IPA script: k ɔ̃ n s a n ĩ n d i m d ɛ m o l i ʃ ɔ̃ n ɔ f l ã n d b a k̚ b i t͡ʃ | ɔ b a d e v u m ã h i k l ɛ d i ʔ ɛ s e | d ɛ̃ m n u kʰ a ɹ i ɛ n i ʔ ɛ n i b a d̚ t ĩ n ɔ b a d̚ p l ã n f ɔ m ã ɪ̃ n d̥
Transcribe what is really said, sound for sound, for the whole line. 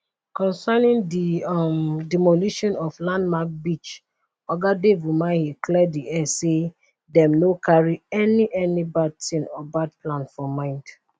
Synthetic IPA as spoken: k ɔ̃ n s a n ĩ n d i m d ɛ m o l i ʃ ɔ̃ n ɔ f l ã n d m a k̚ b i t͡ʃ | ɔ ɡ a d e v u m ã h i k l ɛ d i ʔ ɛ s e | d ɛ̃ m n o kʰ a ɹ i ɛ n i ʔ ɛ n i b a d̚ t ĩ n ɔ b a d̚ p l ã n f ɔ m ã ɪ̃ n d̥

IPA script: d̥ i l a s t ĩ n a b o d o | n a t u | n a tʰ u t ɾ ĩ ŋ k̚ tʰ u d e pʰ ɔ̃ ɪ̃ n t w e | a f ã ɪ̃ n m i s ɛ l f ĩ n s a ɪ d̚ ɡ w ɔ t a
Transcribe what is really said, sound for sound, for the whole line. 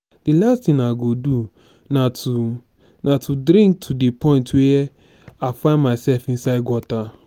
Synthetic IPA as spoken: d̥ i l a s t ĩ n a ɡ o d u | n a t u | n a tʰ u d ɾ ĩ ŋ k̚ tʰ u d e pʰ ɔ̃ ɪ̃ n t w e | a f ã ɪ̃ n m a s ɛ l f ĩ n s a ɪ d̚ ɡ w ɔ t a

